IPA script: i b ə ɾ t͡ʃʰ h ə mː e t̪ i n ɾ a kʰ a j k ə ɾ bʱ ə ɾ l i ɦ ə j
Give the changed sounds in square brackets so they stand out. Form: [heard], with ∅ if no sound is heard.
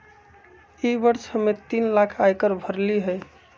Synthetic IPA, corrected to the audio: i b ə ɾ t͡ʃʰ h ə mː e t̪ i n [l] a kʰ a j k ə ɾ bʱ ə ɾ l i ɦ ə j